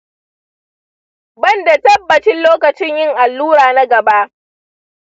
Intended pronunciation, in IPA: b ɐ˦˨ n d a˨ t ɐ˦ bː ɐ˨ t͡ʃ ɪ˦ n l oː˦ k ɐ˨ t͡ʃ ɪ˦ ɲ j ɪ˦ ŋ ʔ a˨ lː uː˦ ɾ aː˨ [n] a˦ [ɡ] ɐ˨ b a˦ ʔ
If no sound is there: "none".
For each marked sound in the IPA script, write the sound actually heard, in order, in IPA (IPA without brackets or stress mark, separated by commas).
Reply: n, ɡ